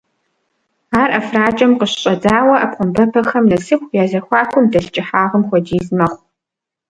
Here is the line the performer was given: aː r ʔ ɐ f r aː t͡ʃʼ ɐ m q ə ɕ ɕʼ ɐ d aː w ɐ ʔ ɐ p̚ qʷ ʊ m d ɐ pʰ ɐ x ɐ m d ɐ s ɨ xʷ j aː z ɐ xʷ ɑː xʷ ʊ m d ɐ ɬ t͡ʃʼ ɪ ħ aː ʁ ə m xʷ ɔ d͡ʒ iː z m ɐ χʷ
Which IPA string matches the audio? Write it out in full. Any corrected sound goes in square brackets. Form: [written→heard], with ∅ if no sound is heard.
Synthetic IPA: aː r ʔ ɐ f r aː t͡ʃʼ ɐ m q ə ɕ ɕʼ ɐ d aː w ɐ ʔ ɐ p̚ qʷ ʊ m [d→b] ɐ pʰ ɐ x ɐ m [d→n] ɐ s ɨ xʷ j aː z ɐ xʷ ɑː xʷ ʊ m d ɐ ɬ t͡ʃʼ ɪ ħ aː ʁ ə m xʷ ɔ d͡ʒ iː z m ɐ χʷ